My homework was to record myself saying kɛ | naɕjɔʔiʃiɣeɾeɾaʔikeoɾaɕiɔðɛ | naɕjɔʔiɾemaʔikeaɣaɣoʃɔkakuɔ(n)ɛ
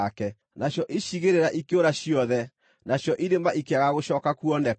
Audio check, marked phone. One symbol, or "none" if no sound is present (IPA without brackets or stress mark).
n